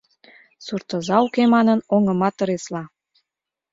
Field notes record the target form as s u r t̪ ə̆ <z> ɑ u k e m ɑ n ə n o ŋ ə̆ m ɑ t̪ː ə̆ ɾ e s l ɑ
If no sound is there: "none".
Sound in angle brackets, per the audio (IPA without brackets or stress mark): z